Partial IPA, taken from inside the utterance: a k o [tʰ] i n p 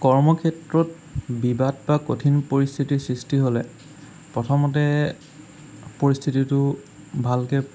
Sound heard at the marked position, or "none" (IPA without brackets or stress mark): tʰ